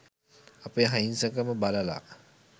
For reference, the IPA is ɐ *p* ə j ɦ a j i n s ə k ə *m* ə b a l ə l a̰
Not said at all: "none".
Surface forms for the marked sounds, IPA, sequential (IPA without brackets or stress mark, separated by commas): p, m